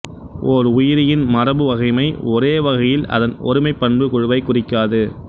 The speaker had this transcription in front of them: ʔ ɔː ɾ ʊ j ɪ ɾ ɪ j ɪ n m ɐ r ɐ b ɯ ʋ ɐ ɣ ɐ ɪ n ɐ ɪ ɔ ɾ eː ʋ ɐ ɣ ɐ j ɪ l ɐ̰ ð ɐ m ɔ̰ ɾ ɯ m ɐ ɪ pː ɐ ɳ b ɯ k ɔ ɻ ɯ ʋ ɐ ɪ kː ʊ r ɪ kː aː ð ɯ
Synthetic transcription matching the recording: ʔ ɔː ɾ ʊ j ɪ ɾ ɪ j ɪ n m ɐ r ɐ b ɯ ʋ ɐ ɣ ɐ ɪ m ɐ ɪ ɔ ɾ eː ʋ ɐ ɣ ɐ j ɪ l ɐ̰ ð ɐ n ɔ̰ ɾ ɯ m ɐ ɪ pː ɐ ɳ b ɯ k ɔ ɻ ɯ ʋ ɐ ɪ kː ʊ r ɪ kː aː ð ɯ